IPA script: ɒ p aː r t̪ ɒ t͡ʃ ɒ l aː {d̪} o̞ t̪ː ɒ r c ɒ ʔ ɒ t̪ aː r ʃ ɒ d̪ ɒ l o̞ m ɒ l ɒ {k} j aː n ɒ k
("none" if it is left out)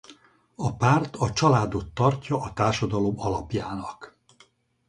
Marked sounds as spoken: d̪, p

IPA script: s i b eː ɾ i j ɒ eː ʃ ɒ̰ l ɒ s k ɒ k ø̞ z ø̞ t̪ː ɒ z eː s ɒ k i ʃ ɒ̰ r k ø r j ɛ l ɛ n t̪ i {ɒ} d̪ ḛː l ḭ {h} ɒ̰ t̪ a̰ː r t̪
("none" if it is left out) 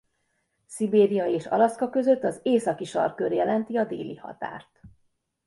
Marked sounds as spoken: ɒ, h

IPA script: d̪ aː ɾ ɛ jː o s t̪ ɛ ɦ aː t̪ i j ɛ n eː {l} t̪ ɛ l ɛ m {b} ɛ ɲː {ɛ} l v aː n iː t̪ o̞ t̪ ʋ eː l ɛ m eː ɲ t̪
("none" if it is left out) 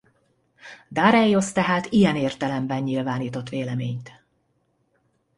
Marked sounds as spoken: r, b, i

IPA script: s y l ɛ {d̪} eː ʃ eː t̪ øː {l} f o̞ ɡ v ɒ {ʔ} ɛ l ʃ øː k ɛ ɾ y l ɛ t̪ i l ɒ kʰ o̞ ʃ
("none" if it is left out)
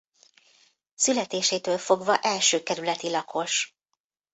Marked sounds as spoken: t̪, l, ʔ

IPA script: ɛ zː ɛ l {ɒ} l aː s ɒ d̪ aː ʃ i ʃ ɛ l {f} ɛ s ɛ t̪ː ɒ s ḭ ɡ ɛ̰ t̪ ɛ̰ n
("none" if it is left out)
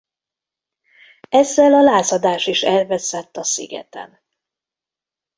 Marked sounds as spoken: ɒ, v

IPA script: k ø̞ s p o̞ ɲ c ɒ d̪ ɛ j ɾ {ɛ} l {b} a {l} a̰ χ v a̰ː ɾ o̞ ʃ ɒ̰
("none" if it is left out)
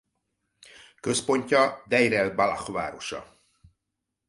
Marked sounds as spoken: ɛ, b, l

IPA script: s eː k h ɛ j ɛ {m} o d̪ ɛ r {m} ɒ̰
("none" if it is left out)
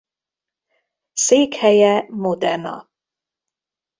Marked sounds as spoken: m, n

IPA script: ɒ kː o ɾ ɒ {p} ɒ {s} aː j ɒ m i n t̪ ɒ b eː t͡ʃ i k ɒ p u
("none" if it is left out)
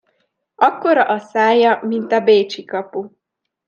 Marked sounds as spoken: ʔ, s

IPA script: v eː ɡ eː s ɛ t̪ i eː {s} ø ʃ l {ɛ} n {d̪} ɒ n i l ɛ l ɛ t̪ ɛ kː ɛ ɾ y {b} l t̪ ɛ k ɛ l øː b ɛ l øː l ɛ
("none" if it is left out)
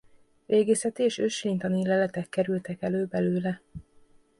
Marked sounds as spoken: ʃ, i, t̪, none

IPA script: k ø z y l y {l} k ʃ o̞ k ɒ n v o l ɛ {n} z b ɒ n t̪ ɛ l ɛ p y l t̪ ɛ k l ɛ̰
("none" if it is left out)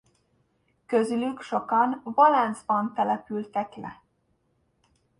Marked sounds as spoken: none, n

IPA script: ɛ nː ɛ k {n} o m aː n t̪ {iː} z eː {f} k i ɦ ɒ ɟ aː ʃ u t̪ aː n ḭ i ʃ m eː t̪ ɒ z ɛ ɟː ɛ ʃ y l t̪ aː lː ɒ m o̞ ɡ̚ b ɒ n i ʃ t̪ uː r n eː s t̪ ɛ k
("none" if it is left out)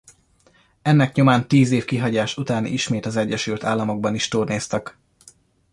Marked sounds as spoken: ɲ, iː, f

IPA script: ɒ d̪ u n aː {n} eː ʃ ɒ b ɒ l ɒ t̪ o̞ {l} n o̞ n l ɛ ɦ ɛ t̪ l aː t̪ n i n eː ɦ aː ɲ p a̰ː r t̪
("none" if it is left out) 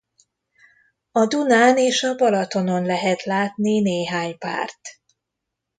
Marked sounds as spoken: n, none

